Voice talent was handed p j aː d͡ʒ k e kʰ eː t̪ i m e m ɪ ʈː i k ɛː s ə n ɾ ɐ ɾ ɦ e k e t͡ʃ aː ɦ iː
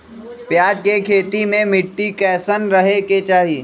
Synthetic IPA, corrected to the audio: p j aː d͡ʒ k e kʰ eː t̪ i m ẽ m ɪ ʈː i k ɛː s ə n ɾ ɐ ɦ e k e t͡ʃ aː ɦ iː